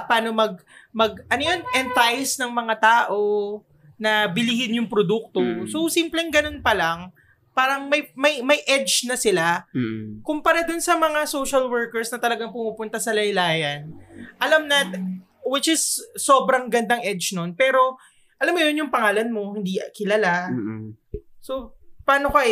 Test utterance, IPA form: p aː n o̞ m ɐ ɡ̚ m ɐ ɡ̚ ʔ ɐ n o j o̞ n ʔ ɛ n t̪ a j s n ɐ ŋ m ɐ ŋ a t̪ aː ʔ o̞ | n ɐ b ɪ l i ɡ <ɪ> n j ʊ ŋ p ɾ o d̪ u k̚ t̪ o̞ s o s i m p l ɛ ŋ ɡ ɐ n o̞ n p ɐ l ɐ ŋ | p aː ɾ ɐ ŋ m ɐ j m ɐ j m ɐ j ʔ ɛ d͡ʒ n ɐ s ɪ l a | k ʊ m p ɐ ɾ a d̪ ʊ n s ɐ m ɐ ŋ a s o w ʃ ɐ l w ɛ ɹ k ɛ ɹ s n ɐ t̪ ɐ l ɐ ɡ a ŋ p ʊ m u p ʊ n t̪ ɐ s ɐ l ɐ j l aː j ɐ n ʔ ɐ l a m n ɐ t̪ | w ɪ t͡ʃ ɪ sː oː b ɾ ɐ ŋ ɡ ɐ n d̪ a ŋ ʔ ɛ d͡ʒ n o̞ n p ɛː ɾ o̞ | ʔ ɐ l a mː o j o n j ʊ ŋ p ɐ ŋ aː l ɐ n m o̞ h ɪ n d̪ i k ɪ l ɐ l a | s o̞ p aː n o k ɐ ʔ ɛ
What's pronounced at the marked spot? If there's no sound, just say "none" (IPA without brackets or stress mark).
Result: ɪ